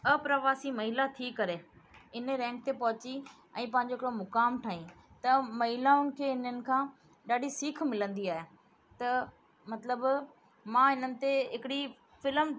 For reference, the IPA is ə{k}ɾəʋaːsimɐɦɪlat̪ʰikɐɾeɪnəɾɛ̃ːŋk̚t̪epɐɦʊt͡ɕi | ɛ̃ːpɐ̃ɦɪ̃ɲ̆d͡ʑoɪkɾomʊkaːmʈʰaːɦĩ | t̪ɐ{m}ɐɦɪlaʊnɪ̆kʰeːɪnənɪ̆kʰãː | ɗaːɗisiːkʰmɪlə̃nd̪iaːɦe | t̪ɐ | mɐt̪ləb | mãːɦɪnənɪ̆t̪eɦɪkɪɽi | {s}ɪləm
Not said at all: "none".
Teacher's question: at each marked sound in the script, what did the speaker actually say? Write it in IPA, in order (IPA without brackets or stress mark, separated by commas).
p, m, f